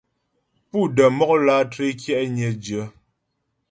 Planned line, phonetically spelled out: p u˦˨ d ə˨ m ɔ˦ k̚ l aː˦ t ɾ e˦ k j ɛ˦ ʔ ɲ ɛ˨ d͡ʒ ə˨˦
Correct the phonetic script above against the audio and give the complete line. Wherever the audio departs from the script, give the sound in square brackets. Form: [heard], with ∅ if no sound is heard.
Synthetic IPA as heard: p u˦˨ d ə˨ m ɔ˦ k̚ l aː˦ t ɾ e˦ k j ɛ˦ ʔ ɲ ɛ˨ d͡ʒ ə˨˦